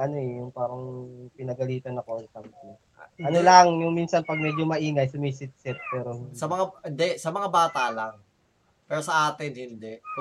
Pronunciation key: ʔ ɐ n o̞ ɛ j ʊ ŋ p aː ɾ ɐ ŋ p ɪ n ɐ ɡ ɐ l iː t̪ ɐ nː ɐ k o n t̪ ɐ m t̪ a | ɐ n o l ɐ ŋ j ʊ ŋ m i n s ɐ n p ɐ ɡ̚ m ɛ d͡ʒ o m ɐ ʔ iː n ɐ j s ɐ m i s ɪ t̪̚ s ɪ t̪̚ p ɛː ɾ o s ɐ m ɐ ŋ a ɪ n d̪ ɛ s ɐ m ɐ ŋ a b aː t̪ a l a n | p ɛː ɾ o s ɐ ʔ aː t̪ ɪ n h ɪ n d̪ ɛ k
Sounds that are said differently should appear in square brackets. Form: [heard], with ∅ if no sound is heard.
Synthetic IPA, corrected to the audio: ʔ ɐ n o̞ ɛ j ʊ ŋ p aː ɾ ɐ ŋ p ɪ n ɐ ɡ ɐ l iː t̪ ɐ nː ɐ k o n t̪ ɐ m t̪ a | ɐ n o l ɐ ŋ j ʊ ŋ m i n s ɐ n p ɐ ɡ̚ m ɛ d͡ʒ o m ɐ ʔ iː [ŋ] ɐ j s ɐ m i s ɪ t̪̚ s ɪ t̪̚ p ɛː ɾ o s ɐ m ɐ ŋ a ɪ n d̪ ɛ s ɐ m ɐ ŋ a b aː t̪ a l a [ŋ] | p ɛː ɾ o s ɐ ʔ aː t̪ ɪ n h ɪ n d̪ ɛ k